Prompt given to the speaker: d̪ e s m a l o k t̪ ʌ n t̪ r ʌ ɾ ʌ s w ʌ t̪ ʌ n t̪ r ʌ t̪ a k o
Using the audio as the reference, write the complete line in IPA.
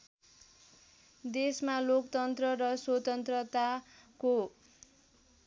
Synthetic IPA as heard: d̪ e s m a l o k t̪ ʌ n t̪ r ʌ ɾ ʌ s w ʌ t̪ ʌ n t̪ r ʌ t̪ a k o